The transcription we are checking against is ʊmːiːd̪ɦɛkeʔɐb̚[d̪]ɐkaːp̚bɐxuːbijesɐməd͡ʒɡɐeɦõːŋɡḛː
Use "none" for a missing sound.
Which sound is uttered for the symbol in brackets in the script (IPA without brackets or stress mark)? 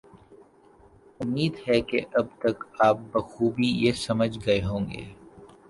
t̪